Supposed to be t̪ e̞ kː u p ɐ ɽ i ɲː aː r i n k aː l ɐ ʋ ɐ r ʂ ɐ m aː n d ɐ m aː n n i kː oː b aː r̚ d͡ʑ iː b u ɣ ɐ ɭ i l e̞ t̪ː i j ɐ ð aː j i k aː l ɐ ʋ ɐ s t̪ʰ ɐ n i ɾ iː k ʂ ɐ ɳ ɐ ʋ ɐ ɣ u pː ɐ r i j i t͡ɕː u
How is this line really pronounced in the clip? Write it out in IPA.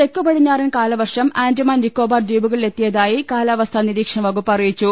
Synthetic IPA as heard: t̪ e̞ kː u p ɐ ɽ i ɲː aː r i n k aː l ɐ ʋ ɐ r ʂ ɐ m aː n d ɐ m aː n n i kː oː b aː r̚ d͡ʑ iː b u ɣ ɐ ɭ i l e̞ t̪ː i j ɐ ð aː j i k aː l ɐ ʋ ɐ s t̪ʰ ɐ n i ɾ iː k ʂ ɐ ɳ ɐ ʋ ɐ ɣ u pː ɐ r i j i t͡ɕː u

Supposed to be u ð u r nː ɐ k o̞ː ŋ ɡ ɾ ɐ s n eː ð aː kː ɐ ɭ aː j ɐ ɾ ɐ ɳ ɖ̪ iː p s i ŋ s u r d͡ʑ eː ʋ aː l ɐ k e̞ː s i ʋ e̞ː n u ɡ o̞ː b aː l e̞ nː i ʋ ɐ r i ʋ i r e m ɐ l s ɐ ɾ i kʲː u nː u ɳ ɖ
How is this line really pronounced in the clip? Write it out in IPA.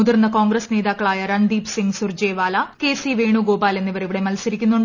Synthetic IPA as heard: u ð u r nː ɐ k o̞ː ŋ ɡ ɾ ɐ s n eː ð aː kː ɐ ɭ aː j ɐ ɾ ɐ ɳ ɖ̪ iː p s i ŋ s u r d͡ʑ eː ʋ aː l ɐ k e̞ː s i ʋ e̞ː ɳ u ɡ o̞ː b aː l e̞ nː i ʋ ɐ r i ʋ i ɽ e m ɐ l s ɐ ɾ i kʲː u nː u ɳ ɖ

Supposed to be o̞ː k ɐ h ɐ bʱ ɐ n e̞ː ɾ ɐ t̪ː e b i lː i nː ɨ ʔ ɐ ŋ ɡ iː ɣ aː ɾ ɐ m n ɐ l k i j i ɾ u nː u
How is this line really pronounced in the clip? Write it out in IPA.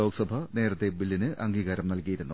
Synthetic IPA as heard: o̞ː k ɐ s ɐ bʱ ɐ n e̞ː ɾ ɐ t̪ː e b i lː i n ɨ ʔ ɐ ŋ ɡ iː ɣ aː ɾ ɐ m n ɐ l k i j i ɾ u nː u

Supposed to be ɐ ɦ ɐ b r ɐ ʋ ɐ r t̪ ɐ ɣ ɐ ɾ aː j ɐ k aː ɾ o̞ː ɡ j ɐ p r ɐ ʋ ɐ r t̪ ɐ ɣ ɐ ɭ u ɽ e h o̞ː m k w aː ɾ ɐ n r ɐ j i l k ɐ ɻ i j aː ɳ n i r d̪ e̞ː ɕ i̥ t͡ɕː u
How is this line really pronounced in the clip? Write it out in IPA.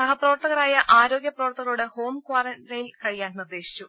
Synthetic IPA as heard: ɐ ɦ ɐ p r ɐ ʋ ɐ r t̪ ɐ ɣ ɐ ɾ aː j ɐ ʔ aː ɾ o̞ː ɡ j ɐ p r ɐ ʋ ɐ r t̪ ɐ ɣ ɐ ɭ u ɽ e h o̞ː m k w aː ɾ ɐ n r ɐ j i l k ɐ ɻ i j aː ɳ n i r d̪ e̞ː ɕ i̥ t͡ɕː u

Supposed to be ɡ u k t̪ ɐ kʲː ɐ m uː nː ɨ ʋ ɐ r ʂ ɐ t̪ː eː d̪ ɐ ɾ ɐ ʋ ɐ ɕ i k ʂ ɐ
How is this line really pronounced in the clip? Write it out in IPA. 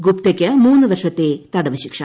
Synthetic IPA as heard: ɡ u p t̪ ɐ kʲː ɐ m uː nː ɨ ʋ ɐ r ʂ ɐ t̪ː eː t̪ ɐ ɽ ɐ ʋ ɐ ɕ i k ʂ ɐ

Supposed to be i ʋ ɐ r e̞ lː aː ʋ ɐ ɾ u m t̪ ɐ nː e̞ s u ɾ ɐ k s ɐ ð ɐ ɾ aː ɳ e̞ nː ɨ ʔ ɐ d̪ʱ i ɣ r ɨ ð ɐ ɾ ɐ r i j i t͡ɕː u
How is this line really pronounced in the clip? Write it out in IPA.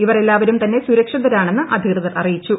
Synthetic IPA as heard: i ʋ ɐ r e̞ lː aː ʋ ɐ ɾ u m t̪ ɐ nː e̞ s u ɾ ɐ k ʂ ɐ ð ɐ ɾ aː ɳ e̞ nː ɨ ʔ ɐ d̪ʱ i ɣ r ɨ ð ɐ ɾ ɐ r i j i t͡ɕː u

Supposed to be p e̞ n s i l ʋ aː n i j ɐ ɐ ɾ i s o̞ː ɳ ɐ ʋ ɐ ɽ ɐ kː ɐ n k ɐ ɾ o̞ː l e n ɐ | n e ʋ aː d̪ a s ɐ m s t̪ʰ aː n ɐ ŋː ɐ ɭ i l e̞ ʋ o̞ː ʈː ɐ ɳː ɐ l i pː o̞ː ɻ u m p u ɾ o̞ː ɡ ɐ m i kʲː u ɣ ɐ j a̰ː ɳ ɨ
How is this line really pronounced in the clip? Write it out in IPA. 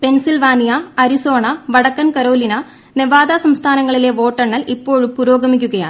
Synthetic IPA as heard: p e̞ n s i l ʋ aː n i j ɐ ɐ ɾ i s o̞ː ɳ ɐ ʋ ɐ ɽ ɐ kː ɐ n k ɐ ɾ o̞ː l i n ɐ | n e ʋ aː d̪ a s ɐ m s t̪ʰ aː n ɐ ŋː ɐ ɭ i l e̞ ʋ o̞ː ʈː ɐ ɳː ɐ l i pː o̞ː ɻ u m p u ɾ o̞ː ɡ ɐ m i kʲː u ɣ ɐ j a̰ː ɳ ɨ

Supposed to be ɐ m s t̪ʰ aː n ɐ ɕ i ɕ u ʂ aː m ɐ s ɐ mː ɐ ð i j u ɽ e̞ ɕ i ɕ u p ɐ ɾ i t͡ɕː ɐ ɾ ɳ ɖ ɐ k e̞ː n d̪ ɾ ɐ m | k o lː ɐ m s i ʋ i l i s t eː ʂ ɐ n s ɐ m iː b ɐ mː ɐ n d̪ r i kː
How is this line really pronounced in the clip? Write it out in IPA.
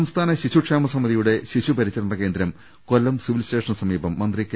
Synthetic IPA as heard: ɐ m s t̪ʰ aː n ɐ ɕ i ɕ u ʂ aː m ɐ s ɐ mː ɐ ð i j u ɽ e̞ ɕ i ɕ u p ɐ ɾ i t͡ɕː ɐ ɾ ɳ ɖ ɐ k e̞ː n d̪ ɾ ɐ m | k o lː ɐ m s i ʋ i l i s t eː ʂ ɐ n s ɐ m iː b ɐ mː ɐ n d̪ r i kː

